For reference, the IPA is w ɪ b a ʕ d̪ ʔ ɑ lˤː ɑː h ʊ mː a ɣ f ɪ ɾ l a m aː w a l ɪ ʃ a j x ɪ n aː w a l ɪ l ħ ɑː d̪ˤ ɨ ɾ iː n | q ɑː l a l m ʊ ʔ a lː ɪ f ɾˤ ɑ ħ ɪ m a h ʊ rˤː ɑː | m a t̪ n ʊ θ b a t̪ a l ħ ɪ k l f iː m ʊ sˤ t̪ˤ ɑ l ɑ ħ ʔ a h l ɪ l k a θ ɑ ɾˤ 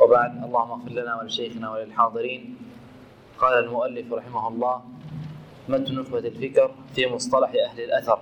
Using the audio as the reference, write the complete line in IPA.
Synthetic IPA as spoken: w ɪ b a ʕ d̪ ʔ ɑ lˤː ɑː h ʊ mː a ɣ f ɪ ɾ l a n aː w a l ɪ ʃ a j x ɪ n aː w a l ɪ l ħ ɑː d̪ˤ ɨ ɾ iː n | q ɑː l a l m ʊ ʔ a lː ɪ f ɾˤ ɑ ħ ɪ m a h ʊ lˤː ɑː | m a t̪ n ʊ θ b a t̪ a l f ɪ k ɾ f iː m ʊ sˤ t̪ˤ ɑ l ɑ ħ ʔ a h l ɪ l ʔ a θ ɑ ɾˤ